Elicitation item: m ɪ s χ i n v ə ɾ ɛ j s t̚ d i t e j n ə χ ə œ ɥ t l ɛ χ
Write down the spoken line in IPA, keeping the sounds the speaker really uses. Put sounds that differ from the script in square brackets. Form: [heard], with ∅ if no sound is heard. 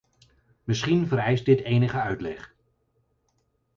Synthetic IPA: m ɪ s χ i n v ə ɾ ɛ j s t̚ d [ɪ] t e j n ə χ ə œ ɥ t l ɛ χ